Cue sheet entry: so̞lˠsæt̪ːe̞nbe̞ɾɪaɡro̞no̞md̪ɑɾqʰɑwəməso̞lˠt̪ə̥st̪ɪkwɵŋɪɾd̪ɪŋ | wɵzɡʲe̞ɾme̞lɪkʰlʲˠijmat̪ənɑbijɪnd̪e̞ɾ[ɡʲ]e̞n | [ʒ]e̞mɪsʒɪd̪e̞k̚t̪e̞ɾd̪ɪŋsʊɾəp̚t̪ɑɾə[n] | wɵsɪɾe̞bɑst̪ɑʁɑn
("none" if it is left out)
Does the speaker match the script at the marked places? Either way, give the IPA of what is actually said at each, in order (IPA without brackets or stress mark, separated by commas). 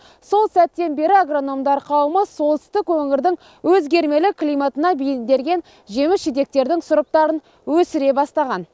ɡʲ, ʒ, n